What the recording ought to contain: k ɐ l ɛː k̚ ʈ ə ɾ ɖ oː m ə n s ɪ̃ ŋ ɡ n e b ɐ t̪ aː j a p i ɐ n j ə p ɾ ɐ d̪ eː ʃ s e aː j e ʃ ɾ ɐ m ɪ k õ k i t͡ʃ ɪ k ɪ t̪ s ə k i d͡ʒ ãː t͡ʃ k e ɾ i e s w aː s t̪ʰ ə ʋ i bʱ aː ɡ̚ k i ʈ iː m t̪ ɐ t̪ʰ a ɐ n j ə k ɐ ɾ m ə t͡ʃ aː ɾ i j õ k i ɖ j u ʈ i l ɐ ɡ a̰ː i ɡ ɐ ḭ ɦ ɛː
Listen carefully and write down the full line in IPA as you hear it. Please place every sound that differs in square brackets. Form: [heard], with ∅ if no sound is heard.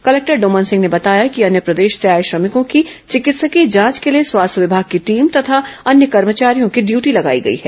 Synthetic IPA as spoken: k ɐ l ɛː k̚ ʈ ə ɾ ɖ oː m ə n s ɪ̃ ŋ ɡ n e b ɐ t̪ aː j a [k] i ɐ n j ə p ɾ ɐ d̪ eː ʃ s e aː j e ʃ ɾ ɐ m ɪ k õ k i t͡ʃ ɪ k ɪ t̪ s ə k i d͡ʒ ãː t͡ʃ k e [l] i e s w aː s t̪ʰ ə ʋ [ɪ] bʱ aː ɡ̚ k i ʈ iː m t̪ ɐ t̪ʰ a ɐ n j ə k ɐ ɾ m ə t͡ʃ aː ɾ i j õ k i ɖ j [uː] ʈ i l ɐ ɡ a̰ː i ɡ ɐ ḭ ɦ ɛː